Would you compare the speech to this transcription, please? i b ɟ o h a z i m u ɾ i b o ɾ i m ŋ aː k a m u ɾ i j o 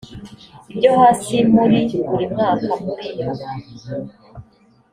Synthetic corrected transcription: i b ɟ o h a s i m u ɾ i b u ɾ i m ŋ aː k a m u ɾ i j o